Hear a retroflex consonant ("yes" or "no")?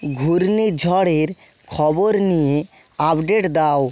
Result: yes